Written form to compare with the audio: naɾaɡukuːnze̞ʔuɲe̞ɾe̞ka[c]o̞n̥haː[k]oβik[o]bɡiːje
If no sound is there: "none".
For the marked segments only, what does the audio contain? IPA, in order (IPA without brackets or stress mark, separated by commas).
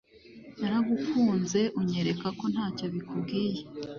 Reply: k, c, u